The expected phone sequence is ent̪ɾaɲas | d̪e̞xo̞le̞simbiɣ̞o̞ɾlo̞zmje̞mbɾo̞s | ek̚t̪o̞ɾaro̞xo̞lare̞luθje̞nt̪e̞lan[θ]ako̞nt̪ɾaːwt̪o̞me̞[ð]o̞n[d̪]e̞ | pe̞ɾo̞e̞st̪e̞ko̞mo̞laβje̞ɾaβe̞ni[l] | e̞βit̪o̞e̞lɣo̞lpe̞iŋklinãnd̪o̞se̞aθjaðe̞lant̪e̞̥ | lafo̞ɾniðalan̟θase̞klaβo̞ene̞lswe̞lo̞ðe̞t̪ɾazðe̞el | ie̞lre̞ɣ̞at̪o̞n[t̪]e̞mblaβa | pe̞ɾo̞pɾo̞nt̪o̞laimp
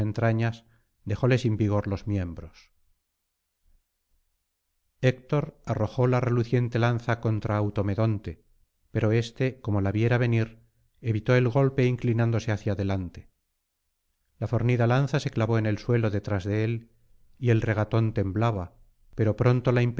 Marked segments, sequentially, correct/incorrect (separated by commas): correct, correct, incorrect, incorrect, correct